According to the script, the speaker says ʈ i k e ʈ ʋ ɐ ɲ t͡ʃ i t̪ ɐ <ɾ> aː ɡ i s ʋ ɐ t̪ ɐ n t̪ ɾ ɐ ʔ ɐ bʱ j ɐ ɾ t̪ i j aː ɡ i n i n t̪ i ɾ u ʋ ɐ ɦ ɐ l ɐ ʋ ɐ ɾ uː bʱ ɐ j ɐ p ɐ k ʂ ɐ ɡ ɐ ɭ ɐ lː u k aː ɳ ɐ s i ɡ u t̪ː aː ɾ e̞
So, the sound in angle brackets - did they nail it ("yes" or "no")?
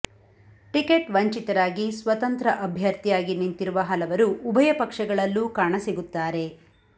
yes